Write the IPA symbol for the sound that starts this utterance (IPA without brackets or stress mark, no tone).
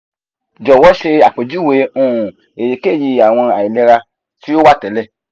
d͡ʒ